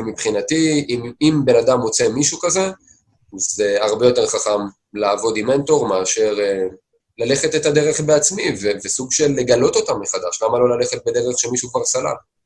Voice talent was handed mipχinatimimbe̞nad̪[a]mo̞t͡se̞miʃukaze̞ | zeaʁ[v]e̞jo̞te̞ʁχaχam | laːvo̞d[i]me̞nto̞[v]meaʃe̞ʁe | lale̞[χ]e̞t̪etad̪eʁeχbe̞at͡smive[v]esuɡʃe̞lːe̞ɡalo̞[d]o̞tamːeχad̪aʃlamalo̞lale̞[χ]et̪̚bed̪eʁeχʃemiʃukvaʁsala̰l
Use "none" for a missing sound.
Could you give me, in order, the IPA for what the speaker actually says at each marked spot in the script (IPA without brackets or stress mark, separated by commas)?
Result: a, b, i, ʁ, χ, v, t, χ